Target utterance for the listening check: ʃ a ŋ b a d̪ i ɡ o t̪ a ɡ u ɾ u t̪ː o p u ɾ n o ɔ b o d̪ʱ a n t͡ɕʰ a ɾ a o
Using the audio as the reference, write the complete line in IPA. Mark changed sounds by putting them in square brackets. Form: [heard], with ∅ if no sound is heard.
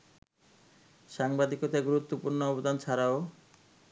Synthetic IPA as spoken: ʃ a ŋ b a d̪ i [k] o t̪ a ɡ u ɾ u t̪ː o p u ɾ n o ɔ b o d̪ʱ a n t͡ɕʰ a ɾ a o